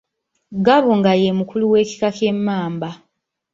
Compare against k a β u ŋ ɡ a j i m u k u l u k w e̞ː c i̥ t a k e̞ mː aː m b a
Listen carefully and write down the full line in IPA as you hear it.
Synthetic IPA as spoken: ɡ a β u ŋ ɡ a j e m u k u l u w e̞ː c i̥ k a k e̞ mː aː m b a